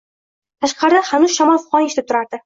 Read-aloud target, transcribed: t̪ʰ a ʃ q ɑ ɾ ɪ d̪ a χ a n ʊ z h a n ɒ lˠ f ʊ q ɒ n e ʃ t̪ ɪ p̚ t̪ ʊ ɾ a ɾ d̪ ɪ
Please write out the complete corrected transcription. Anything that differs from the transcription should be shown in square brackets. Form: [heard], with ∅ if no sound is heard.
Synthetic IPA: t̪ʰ a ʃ q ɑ ɾ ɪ d̪ a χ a n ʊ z [ʃ] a [m] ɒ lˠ f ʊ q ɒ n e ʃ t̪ ɪ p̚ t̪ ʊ ɾ a ɾ d̪ ɪ